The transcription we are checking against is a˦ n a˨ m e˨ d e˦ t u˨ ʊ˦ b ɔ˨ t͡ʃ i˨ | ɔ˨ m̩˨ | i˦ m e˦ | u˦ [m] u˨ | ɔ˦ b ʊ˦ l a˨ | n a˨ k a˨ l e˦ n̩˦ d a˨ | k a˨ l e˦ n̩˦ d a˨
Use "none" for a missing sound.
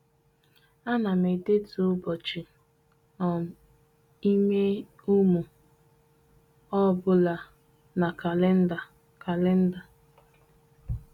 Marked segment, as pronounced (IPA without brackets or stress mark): m